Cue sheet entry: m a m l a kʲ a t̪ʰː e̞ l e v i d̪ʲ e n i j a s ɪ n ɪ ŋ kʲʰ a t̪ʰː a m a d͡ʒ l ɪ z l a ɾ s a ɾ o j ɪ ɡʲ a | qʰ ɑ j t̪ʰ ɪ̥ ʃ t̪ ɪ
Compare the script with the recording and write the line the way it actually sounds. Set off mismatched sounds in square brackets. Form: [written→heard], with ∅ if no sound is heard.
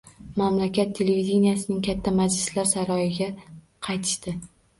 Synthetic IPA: m a m l a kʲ a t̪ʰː e̞ l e v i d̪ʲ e n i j a s ɪ n ɪ ŋ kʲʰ a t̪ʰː a m a d͡ʒ l ɪ [z→s] l a ɾ s a ɾ [o→ɒ] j ɪ ɡʲ a | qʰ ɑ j t̪ʰ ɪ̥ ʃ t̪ ɪ